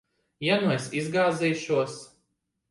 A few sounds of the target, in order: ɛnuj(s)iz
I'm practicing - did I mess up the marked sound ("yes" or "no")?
no